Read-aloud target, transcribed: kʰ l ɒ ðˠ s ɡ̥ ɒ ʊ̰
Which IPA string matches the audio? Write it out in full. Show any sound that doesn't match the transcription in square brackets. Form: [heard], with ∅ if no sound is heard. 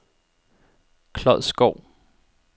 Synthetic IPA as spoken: kʰ l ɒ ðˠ s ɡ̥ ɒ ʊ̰